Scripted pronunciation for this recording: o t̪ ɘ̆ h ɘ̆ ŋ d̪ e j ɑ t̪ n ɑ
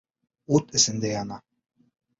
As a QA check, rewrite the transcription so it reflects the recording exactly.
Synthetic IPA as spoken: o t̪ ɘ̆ s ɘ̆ n d̪ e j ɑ n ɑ